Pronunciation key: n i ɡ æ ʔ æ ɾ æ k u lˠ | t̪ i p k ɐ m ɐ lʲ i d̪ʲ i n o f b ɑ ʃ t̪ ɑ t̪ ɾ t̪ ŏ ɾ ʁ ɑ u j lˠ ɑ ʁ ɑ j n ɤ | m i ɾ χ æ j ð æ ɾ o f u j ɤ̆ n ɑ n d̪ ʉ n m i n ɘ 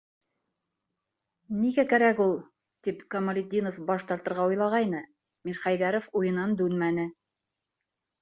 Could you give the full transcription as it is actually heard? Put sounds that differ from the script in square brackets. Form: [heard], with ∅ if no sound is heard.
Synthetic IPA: n i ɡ æ [k] æ ɾ æ k u lˠ | t̪ i p k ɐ m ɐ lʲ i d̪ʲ i n o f b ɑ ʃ t̪ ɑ [∅] ɾ t̪ [ɤ̆] ɾ ʁ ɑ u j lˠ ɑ ʁ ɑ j n ɤ | m i ɾ χ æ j ð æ ɾ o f u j ɤ̆ n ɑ n d̪ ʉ n m [æ] n ɘ